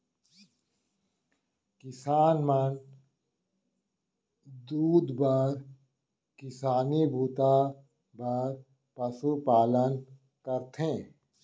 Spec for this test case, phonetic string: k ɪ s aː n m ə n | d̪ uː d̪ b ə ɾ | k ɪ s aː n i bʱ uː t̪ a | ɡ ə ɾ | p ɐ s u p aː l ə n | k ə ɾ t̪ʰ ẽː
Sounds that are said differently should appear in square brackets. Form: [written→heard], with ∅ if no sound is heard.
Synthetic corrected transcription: k ɪ s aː n m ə n | d̪ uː d̪ b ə ɾ | k ɪ s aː n i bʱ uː t̪ a | [ɡ→b] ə ɾ | p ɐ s u p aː l ə n | k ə ɾ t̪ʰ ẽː

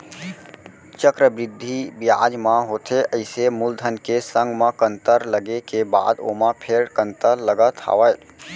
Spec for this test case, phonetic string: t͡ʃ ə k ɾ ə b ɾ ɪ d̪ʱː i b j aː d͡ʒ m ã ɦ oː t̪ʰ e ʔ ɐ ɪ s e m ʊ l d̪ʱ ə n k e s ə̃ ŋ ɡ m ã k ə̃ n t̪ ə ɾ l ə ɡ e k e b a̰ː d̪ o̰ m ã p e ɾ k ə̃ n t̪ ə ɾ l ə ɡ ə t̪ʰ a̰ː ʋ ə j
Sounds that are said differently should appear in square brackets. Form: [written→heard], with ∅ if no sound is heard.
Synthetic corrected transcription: t͡ʃ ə k ɾ ə b ɾ ɪ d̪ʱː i b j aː d͡ʒ m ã ɦ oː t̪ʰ e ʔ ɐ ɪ s e m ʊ l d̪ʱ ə n k e s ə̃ ŋ ɡ m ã k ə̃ n t̪ ə ɾ l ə ɡ e k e b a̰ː d̪ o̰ m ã [p→pʰ] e ɾ k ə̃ n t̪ ə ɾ l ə ɡ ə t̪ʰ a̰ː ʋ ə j

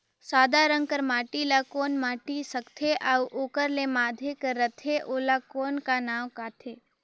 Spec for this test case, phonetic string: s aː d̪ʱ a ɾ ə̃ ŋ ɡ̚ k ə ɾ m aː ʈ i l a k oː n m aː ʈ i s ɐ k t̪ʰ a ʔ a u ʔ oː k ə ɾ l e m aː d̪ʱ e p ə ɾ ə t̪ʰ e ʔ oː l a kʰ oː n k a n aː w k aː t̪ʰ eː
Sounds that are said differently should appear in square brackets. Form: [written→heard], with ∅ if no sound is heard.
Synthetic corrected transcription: s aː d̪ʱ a ɾ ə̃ ŋ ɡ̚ k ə ɾ m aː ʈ i l a k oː n m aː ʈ i s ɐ k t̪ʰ [a→e] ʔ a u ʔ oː k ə ɾ l e m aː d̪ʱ e [p→k] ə ɾ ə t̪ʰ e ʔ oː l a [kʰ→k] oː n k a n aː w k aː t̪ʰ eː

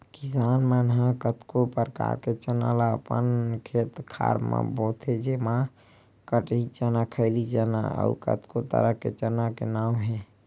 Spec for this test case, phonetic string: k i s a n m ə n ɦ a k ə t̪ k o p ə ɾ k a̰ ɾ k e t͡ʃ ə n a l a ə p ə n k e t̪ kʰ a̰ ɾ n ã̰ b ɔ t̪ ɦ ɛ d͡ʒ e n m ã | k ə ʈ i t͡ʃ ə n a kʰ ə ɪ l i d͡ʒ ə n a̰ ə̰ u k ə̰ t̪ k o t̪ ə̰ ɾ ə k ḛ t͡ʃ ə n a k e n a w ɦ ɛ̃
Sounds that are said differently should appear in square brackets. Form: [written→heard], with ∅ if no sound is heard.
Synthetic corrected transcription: k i s a n m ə n ɦ a k ə t̪ k o p ə ɾ k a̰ ɾ k e t͡ʃ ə n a l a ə p ə n [k→kʰ] e t̪ kʰ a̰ ɾ [n→m] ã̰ b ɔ t̪ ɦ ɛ d͡ʒ e [n→∅] m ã | k ə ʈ i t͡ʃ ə n a kʰ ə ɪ l i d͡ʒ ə n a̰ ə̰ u k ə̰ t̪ k o t̪ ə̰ ɾ ə k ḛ t͡ʃ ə n a k e n a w ɦ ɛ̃

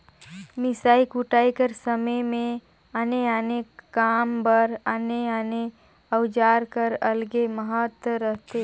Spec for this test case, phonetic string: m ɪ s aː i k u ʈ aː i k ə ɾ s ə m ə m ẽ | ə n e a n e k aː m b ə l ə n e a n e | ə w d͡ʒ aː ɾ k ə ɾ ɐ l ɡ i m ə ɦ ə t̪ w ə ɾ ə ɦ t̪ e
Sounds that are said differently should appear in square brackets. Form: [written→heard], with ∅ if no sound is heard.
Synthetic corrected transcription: m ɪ s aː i k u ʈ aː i k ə ɾ s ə m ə m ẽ | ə n e a n e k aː m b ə [l→ɾ] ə n e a n e | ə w d͡ʒ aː ɾ k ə ɾ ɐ l ɡ [i→e] m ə ɦ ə t̪ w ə ɾ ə ɦ t̪ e

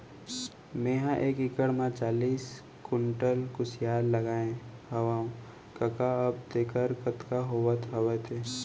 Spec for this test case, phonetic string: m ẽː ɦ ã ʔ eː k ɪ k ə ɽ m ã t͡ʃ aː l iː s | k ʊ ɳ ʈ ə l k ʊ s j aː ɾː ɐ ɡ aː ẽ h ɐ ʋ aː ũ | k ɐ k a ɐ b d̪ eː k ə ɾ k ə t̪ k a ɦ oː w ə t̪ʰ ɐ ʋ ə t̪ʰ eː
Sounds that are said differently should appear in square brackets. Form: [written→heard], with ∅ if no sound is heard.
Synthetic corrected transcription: m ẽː ɦ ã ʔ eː k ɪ k ə ɽ m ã t͡ʃ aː l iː s | k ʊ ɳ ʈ ə l k ʊ s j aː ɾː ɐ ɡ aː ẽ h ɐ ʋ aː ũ | k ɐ k a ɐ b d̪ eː k ə ɾ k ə t̪ k a ɦ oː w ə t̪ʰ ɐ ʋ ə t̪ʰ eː

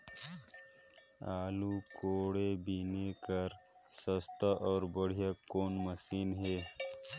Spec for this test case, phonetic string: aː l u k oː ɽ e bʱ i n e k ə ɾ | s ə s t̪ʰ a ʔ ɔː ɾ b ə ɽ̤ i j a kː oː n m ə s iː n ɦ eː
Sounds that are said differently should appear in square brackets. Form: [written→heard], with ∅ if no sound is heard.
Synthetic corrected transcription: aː l u k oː ɽ e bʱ i n e k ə ɾ | s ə s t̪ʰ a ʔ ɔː ɾ b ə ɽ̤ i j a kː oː n m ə s iː n ɦ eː

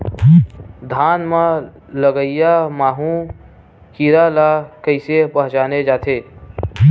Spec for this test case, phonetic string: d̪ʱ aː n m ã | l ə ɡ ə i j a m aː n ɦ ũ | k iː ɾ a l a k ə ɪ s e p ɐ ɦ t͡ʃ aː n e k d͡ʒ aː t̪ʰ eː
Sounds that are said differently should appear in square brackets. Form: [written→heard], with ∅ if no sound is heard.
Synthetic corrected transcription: d̪ʱ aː n m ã | l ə ɡ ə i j a m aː [n→∅] ɦ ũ | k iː ɾ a l a k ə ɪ s e p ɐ ɦ t͡ʃ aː n e [k→∅] d͡ʒ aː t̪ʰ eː

